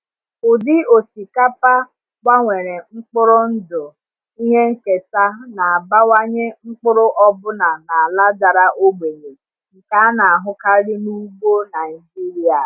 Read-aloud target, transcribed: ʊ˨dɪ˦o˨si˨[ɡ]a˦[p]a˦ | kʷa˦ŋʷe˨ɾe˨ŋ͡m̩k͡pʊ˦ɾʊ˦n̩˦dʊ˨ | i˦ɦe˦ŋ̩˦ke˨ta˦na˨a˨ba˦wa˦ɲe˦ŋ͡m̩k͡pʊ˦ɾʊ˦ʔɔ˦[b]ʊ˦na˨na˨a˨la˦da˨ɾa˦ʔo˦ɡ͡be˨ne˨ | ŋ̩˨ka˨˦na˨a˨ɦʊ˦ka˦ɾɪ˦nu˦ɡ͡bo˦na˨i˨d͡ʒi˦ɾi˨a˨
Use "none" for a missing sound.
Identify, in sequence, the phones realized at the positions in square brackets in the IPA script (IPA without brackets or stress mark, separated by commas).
k, p, b